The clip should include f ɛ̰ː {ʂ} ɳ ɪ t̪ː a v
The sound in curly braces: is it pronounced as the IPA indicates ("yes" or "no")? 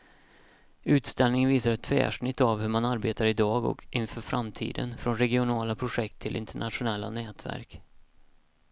yes